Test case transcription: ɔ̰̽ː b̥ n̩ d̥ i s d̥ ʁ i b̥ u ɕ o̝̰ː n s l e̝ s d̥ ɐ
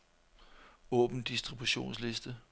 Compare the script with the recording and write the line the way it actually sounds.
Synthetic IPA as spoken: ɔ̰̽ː b̥ n̩ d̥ i s d̥ ʁ i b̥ u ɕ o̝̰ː n s l e̝ s d̥ ə